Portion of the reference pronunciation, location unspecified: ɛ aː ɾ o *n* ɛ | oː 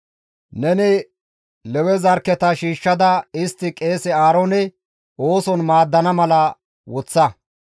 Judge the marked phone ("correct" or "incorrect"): correct